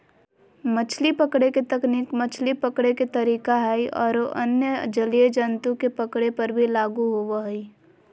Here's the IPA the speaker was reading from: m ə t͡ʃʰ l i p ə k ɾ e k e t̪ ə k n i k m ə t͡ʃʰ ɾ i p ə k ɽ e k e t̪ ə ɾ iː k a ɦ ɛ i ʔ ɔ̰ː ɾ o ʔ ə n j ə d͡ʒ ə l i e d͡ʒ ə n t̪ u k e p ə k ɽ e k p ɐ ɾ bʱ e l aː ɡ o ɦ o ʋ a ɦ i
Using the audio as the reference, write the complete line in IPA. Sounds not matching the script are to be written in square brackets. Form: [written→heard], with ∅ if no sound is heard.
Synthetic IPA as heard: m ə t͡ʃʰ l i p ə k [ɾ→ɽ] e k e t̪ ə k n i k m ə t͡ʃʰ [ɾ→l] i p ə k ɽ e k e t̪ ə ɾ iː k a ɦ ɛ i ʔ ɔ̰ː ɾ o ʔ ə n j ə d͡ʒ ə l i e d͡ʒ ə n t̪ u k e p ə k ɽ e [k→∅] p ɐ ɾ bʱ [e→i] l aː ɡ [o→u] ɦ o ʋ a ɦ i